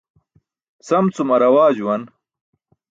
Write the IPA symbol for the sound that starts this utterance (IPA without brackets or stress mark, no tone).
s